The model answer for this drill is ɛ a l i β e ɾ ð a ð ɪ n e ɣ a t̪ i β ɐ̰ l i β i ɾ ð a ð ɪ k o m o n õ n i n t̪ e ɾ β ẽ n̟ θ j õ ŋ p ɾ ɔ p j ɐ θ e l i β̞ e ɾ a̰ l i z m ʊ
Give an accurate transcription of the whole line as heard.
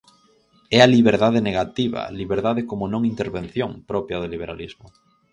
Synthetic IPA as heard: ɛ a l i β e ɾ ð a ð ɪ n e ɣ a t̪ i β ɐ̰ l i β e ɾ ð a ð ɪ k o m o n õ ŋ i n t̪ e ɾ β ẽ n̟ θ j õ ŋ p ɾ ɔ p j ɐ ð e l i β̞ e ɾ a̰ l i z m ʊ